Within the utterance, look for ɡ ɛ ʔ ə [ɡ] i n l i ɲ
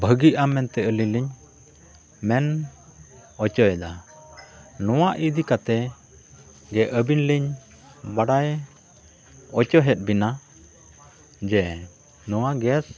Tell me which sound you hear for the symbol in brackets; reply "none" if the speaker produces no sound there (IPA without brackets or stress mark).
b